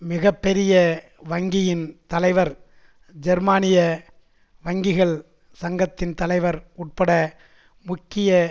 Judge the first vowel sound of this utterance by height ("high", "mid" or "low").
high